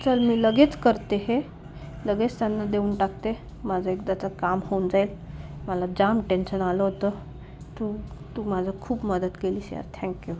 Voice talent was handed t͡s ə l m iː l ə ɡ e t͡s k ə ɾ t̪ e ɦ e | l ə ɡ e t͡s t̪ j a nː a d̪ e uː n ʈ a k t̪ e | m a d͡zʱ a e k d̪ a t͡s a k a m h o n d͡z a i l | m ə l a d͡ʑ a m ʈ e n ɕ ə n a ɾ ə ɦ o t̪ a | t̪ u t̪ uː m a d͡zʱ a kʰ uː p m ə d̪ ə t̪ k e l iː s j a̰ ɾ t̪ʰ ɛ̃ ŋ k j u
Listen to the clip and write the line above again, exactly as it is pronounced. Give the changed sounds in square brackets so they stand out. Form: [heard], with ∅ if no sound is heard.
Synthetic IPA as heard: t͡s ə l m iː l ə ɡ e t͡s k ə ɾ t̪ e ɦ e | l ə ɡ e t͡s t̪ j a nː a d̪ e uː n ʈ a k t̪ e | m a d͡zʱ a e k d̪ a t͡s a k a m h o n d͡z a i l | m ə l a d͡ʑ a m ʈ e n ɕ ə n a [l] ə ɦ o t̪ [ə] | t̪ u t̪ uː m a d͡zʱ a kʰ uː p m ə d̪ ə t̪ k e l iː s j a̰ ɾ t̪ʰ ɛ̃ ŋ k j u

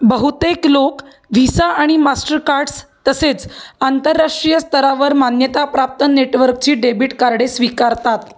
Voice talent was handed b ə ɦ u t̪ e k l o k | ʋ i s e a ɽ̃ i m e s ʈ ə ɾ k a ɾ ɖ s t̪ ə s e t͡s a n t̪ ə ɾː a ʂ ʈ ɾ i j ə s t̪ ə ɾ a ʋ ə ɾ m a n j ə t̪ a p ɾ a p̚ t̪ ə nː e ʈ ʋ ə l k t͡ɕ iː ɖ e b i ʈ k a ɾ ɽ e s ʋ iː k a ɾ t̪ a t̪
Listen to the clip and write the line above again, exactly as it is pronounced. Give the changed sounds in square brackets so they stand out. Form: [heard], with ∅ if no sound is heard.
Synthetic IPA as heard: b ə ɦ u t̪ e k l o k | ʋ i s [a] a ɽ̃ i m [a] s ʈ ə ɾ k a ɾ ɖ s t̪ ə s e t͡s a n t̪ ə ɾː a ʂ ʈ ɾ i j ə s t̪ ə ɾ a ʋ ə ɾ m a n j ə t̪ a p ɾ a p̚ t̪ ə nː e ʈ ʋ ə [ɾ] k t͡ɕ iː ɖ e b i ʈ k a ɾ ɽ e s ʋ [i] k a ɾ t̪ a t̪

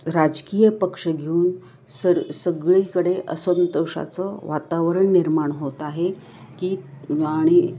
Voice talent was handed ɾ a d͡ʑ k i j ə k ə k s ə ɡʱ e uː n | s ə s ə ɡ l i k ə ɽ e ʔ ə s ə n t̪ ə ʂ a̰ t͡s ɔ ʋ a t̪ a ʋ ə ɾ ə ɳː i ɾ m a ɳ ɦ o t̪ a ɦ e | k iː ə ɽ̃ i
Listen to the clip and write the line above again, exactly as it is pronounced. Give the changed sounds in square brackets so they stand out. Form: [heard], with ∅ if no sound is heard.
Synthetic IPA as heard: ɾ a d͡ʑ k i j ə [p] ə k [ʂ] ə ɡʱ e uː n | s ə s ə ɡ [ɭ] i k ə ɽ e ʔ ə s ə n t̪ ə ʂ a̰ t͡s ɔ ʋ a t̪ a ʋ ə ɾ ə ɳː i ɾ m a ɳ ɦ o t̪ a ɦ e | k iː [a] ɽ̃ i

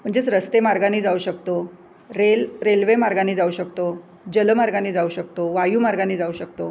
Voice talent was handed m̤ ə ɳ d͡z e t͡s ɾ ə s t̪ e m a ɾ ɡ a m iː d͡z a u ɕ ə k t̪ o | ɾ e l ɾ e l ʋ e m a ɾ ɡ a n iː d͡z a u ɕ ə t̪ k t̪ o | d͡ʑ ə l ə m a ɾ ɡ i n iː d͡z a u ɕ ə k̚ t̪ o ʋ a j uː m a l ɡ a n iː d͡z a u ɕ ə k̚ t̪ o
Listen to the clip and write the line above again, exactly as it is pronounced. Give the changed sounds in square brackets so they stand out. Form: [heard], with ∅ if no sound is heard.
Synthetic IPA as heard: m̤ ə ɳ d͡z e t͡s ɾ ə s t̪ e m a ɾ ɡ a [n] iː d͡z a u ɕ ə k t̪ o | ɾ e l ɾ e l ʋ e m a ɾ ɡ a n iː d͡z a u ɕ ə [∅] k t̪ o | d͡ʑ ə l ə m a ɾ ɡ [a] n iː d͡z a u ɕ ə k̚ t̪ o ʋ a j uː m a [ɾ] ɡ a n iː d͡z a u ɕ ə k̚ t̪ o

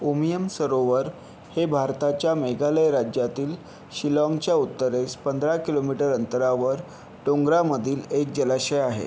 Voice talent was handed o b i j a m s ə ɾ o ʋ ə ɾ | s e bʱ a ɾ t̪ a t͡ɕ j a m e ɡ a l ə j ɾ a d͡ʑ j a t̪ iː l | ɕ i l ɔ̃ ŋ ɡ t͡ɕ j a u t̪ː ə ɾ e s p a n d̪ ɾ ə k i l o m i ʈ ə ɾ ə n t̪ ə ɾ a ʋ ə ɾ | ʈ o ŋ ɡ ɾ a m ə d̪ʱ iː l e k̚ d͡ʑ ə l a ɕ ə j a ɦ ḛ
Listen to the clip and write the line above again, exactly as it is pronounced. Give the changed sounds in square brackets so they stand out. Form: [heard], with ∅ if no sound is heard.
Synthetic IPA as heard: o [m] i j [ə] m s ə ɾ o ʋ ə ɾ | [h] e bʱ a ɾ t̪ a t͡ɕ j a m e ɡ a l ə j ɾ a d͡ʑ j a t̪ iː l | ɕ i l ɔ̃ ŋ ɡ t͡ɕ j a u t̪ː ə ɾ e s p [ə] n d̪ ɾ [a] k i l o m i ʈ ə ɾ ə n t̪ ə ɾ a ʋ ə ɾ | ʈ o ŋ ɡ ɾ a m ə d̪ʱ iː l e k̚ d͡ʑ ə l a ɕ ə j a ɦ ḛ

